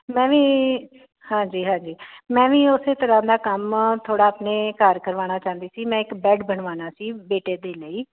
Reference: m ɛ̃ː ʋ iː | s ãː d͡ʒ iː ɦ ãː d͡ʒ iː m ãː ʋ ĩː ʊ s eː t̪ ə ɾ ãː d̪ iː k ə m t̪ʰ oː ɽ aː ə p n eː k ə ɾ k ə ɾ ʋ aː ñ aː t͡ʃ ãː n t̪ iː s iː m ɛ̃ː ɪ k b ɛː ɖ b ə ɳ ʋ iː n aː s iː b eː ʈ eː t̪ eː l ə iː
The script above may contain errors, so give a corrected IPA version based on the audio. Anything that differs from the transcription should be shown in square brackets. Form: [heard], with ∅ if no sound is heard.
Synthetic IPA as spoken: m ɛ̃ː ʋ iː | [h] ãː d͡ʒ iː ɦ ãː d͡ʒ iː m [ɛ̃ː] ʋ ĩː ʊ s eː t̪ ə ɾ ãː d̪ [aː] k ə m t̪ʰ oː ɽ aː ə p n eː k ə ɾ k ə ɾ ʋ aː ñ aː t͡ʃ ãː n [d̪] iː s iː m ɛ̃ː ɪ k b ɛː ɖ b ə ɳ ʋ [aː] n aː s iː b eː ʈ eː [d̪] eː l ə iː